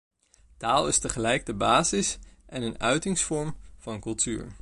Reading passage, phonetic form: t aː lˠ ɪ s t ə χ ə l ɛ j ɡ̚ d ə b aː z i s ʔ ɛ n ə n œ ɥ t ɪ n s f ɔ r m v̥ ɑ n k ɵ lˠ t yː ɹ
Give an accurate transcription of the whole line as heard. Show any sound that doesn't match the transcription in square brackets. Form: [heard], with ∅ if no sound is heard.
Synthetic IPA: t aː lˠ ɪ s t ə χ ə l ɛ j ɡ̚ d ə b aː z [ɪ] s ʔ ɛ n ə n œ ɥ t ɪ [ŋ] s f ɔ [ɹ] m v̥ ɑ n k ɵ lˠ t yː ɹ